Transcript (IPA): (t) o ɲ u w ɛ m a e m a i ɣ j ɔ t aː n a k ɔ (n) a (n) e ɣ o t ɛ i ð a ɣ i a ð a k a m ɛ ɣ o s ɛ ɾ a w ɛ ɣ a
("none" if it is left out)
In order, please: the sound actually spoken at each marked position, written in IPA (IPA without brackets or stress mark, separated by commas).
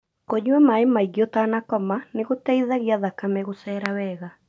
k, m, n